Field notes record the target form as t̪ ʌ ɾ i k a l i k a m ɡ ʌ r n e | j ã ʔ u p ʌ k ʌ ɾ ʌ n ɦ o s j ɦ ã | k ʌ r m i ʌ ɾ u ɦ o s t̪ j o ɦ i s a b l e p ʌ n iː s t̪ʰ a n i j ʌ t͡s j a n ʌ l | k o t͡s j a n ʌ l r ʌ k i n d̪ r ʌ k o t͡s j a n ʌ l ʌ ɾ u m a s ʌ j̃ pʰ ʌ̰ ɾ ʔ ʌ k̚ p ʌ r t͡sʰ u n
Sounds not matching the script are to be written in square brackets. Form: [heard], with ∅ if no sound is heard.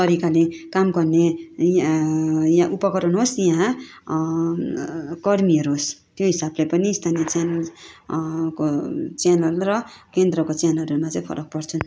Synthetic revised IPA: t̪ ʌ ɾ i k a l [e] k a m ɡ ʌ r n e | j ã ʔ u p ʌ k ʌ ɾ ʌ n ɦ o s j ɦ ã | k ʌ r m i ʌ ɾ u ɦ o s t̪ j o ɦ i s a b l e p ʌ n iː s t̪ʰ a n i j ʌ t͡s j a n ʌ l | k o t͡s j a n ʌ l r ʌ k [e] n d̪ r ʌ k o t͡s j a n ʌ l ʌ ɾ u m a [t͡s] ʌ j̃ pʰ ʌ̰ ɾ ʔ ʌ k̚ p ʌ r t͡sʰ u n